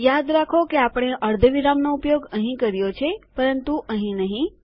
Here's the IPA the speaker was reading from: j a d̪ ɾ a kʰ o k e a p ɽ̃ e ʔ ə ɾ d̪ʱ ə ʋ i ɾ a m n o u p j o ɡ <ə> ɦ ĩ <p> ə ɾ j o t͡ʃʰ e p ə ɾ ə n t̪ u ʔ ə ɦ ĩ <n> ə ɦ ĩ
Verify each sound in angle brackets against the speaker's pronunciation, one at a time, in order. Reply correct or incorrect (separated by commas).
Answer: correct, incorrect, correct